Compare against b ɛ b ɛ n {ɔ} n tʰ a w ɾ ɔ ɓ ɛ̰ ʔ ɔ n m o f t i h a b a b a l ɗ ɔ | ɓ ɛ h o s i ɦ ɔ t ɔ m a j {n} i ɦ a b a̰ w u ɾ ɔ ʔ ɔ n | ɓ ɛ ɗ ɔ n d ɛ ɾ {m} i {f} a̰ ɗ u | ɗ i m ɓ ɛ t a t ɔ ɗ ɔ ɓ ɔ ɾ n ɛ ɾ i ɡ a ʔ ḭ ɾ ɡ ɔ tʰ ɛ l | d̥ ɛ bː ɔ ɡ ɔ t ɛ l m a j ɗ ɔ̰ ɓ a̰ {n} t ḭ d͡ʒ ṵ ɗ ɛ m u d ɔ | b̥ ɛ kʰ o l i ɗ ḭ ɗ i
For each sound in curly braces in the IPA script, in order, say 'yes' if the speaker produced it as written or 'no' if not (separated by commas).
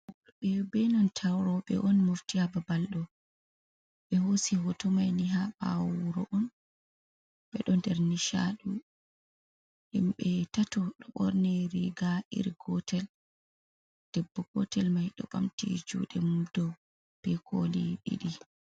yes, yes, no, no, no